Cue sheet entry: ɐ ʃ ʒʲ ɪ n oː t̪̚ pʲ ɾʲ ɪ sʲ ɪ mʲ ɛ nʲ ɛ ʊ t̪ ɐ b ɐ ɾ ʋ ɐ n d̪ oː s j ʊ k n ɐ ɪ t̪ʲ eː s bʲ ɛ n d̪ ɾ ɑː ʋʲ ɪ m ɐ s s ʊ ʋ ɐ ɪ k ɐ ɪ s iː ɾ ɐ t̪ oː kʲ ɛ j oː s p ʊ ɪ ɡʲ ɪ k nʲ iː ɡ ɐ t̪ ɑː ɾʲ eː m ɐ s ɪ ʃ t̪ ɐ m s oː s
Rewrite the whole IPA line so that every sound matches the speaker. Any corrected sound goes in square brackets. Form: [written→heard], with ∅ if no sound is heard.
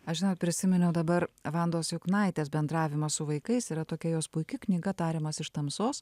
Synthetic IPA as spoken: ɐ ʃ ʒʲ ɪ n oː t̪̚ pʲ ɾʲ ɪ sʲ ɪ mʲ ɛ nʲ ɛ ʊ [t̪→d̪] ɐ b ɐ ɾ ʋ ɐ n d̪ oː s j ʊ k n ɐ ɪ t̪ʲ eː s bʲ ɛ n d̪ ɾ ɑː ʋʲ ɪ m ɐ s s ʊ ʋ ɐ ɪ k ɐ ɪ s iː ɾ ɐ t̪ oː kʲ ɛ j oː s p ʊ ɪ [ɡʲ→kʲ] ɪ k nʲ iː ɡ ɐ t̪ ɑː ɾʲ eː m ɐ s ɪ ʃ t̪ ɐ m s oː s